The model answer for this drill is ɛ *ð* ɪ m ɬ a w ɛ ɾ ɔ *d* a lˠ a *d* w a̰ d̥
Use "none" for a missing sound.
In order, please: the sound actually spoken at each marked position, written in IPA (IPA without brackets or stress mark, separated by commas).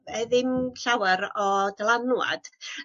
ð, d, n